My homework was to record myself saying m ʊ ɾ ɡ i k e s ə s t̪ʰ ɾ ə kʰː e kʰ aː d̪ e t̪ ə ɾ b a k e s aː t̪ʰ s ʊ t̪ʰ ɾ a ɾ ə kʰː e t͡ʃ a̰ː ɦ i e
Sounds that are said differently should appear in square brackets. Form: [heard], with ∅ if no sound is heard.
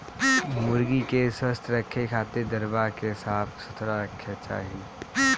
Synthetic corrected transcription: m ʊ ɾ ɡ i k e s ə s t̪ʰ ɾ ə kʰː e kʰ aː [t̪] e [d̪] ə ɾ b a k e s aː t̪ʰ s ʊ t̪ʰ ɾ a ɾ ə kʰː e t͡ʃ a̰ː ɦ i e